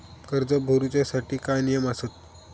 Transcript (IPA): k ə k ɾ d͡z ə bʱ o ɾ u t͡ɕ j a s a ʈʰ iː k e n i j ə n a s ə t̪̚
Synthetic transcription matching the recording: k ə ɾ d͡z ə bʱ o ɾ u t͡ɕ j a s a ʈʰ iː k a n i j ə m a s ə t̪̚

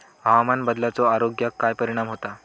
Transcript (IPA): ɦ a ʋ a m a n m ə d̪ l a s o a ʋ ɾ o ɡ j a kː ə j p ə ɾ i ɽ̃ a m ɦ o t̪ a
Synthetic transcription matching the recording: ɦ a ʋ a m a n b ə d̪ l a t͡s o a ɾ o ɡ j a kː a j p ə ɾ i ɽ̃ a m ɦ o t̪ a

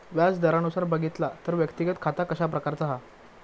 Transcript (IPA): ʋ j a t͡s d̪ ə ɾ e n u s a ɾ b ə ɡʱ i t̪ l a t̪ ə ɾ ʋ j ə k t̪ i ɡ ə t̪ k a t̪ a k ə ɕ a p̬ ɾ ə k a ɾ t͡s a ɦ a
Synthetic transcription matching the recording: ʋ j a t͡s d̪ ə ɾ a n u s a ɾ b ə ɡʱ i t̪ l a t̪ ə ɾ ʋ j ə k t̪ i ɡ ə t̪ kʰ a t̪ a k ə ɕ a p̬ ɾ ə k a ɾ t͡s a ɦ a

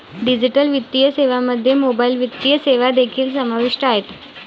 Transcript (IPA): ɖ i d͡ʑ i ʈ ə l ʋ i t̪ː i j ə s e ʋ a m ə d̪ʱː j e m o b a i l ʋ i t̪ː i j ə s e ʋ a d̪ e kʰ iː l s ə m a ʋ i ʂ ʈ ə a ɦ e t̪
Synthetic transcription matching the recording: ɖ i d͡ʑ i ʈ ə l ʋ i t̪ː i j ə s e ʋ a m ə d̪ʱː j e m o b a i l ʋ i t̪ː i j ə s e ʋ a d̪ e kʰ iː l s ə m a ʋ i ʂ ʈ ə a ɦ e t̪

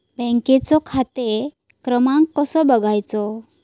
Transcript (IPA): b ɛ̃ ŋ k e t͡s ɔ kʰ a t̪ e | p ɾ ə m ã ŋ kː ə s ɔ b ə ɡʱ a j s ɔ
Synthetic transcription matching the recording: b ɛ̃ ŋ k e t͡s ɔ kʰ a t̪ e | k ɾ ə m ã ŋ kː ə s ɔ b ə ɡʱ a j t͡s ɔ

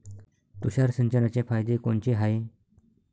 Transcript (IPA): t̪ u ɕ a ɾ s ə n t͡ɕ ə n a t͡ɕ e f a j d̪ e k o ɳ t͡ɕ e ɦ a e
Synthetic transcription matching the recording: t̪ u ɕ a ɾ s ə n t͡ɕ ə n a t͡ɕ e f a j d̪ e k o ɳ t͡ɕ e ɦ a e

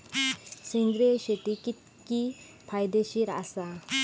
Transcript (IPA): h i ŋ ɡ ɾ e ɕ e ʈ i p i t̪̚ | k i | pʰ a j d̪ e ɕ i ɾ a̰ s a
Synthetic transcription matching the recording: s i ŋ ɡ ɾ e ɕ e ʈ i k i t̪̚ | k i | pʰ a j d̪ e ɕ i ɾ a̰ s a

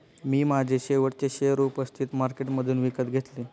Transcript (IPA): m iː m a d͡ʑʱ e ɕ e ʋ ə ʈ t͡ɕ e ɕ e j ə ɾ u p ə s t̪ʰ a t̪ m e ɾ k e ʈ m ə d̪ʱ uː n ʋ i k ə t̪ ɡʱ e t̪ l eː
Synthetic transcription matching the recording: m iː m a d͡ʑʱ e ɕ e ʋ ə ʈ t͡ɕ e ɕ e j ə ɾ u p ə s t̪ʰ i t̪ m a ɾ k e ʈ m ə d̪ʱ uː n ʋ i k ə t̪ ɡʱ e t̪ l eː

